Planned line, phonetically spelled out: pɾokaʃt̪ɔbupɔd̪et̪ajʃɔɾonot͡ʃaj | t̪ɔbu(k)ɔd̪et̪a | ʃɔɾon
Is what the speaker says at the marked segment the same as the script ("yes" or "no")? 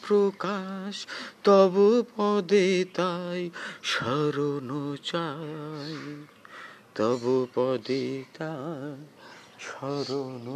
no